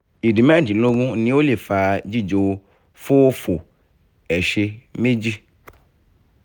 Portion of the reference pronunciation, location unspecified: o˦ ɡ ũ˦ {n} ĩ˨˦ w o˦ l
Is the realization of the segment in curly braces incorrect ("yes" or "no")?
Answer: no